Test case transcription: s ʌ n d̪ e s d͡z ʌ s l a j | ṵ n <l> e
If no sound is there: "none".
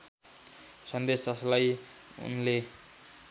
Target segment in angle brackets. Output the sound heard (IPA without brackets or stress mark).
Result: l